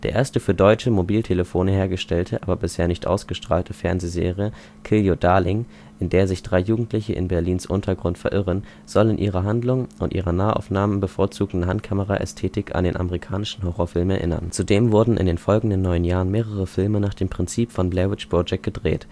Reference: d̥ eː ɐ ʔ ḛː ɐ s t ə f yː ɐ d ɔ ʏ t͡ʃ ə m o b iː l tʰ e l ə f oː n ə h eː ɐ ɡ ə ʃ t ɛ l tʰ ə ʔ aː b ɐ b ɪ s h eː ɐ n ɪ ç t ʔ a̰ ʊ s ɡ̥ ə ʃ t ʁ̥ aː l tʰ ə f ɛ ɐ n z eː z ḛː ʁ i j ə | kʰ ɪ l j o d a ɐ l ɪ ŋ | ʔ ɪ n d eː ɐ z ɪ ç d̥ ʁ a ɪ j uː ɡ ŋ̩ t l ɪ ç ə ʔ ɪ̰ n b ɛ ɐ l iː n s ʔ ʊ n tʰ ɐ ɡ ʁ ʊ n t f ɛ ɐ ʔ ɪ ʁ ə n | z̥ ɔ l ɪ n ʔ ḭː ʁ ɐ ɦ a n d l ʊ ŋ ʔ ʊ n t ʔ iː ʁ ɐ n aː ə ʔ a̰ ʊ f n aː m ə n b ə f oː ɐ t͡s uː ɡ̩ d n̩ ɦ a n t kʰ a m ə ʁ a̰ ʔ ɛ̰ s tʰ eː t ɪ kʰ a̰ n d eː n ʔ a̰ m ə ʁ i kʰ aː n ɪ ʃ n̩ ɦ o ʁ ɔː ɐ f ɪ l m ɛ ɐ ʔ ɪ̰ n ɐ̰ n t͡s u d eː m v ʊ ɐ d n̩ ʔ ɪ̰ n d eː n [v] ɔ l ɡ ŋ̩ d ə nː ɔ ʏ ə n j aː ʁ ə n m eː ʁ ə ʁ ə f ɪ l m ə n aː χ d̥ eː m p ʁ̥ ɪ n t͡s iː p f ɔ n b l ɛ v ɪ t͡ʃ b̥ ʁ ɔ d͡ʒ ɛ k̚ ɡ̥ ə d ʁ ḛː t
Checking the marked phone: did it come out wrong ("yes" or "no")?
yes